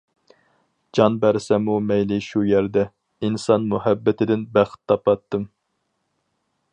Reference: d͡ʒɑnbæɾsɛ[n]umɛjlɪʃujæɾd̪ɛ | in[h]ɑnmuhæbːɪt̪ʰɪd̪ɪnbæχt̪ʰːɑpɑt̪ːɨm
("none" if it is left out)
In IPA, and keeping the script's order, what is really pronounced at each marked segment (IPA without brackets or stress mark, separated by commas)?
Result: m, s